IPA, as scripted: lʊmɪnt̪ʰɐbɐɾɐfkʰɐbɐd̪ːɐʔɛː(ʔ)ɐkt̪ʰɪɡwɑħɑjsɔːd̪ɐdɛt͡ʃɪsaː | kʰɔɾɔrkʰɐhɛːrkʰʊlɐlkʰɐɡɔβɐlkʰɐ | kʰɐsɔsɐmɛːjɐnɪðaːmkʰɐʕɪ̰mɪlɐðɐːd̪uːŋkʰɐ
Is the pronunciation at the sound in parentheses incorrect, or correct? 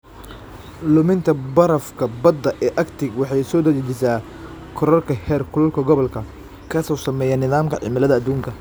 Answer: correct